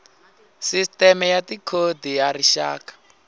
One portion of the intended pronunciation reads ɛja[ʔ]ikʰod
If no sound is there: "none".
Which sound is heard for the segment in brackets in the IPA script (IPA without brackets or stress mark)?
t